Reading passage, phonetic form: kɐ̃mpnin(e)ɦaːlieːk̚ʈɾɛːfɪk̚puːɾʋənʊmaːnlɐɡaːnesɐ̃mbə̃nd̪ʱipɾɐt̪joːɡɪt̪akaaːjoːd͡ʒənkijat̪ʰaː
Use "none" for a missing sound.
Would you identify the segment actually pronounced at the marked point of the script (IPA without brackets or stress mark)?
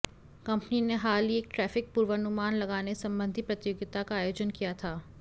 e